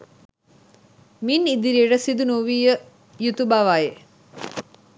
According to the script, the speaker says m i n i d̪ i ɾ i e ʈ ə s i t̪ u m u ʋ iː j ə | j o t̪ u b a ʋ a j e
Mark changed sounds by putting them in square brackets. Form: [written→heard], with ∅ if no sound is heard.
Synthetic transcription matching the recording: m i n i d̪ i ɾ i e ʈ ə s i [t̪→d̪] u [m→n] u ʋ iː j ə | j [o→u] t̪ u b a ʋ a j e